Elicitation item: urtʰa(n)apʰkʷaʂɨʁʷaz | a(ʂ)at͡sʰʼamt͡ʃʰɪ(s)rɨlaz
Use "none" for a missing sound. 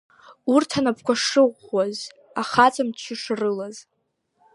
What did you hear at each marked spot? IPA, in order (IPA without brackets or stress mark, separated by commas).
n, χ, ʂ